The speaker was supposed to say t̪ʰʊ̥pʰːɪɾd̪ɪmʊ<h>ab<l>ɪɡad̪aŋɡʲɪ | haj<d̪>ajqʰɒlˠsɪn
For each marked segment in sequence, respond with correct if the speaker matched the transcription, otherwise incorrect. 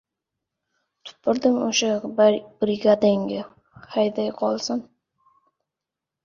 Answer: incorrect, incorrect, correct

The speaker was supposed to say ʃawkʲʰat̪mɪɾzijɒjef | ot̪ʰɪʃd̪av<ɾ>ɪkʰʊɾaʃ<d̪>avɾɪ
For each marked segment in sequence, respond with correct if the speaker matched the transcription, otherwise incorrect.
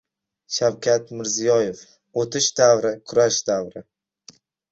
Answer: correct, correct

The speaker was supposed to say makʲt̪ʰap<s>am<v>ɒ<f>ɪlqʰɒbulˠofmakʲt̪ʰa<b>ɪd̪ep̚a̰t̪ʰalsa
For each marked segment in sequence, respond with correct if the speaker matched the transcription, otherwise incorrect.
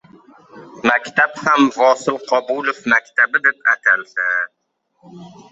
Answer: incorrect, correct, incorrect, correct

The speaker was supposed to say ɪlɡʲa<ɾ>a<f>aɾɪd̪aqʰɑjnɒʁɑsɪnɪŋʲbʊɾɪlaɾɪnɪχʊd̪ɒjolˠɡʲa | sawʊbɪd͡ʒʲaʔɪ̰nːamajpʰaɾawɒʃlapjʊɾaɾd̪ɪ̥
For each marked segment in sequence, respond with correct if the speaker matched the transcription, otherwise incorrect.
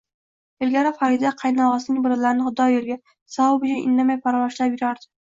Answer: correct, correct

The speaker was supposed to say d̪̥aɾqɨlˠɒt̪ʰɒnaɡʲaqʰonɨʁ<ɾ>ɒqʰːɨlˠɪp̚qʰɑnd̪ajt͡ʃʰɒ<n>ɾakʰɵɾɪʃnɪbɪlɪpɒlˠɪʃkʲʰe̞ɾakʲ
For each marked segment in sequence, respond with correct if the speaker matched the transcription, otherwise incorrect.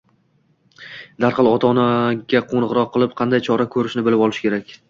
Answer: correct, incorrect

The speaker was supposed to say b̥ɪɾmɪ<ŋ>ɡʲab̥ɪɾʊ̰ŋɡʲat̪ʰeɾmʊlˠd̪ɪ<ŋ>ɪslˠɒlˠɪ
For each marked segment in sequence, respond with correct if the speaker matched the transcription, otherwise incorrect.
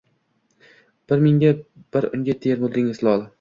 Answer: correct, correct

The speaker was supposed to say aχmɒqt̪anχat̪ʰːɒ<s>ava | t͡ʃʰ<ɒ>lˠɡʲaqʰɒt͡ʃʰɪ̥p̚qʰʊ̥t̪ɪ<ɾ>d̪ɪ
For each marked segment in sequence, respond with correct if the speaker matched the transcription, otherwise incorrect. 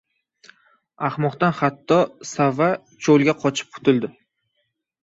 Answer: correct, incorrect, incorrect

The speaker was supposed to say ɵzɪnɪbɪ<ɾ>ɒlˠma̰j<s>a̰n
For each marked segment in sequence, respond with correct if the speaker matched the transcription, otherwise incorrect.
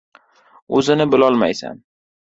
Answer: incorrect, correct

